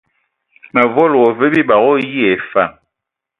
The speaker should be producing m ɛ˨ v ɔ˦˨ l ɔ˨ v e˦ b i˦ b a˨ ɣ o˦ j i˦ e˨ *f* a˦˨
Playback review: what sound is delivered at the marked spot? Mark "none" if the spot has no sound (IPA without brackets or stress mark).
f